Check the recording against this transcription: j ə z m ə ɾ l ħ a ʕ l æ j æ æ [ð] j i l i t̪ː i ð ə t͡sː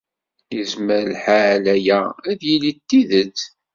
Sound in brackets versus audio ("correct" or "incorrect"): correct